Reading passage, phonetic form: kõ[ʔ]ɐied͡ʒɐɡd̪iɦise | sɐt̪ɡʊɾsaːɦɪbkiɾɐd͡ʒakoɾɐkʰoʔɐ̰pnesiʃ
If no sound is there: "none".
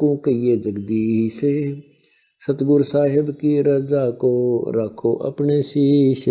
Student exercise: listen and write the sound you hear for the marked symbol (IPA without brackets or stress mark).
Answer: k